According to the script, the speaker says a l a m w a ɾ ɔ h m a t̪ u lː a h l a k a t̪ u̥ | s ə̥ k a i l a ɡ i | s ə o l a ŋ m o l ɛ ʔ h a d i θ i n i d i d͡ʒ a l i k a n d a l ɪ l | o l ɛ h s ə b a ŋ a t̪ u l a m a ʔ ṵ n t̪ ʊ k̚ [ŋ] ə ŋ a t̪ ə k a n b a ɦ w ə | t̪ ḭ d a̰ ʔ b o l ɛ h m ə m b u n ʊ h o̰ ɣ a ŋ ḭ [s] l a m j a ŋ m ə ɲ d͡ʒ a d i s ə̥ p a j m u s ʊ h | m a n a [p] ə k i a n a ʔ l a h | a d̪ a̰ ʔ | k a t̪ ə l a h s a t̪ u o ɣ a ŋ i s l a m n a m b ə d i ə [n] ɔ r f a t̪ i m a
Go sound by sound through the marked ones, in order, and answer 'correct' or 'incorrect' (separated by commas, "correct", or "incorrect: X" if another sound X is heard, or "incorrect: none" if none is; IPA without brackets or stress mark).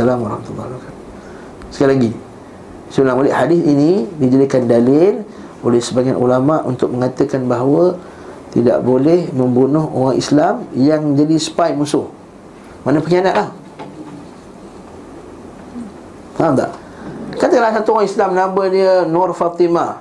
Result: incorrect: m, correct, correct, correct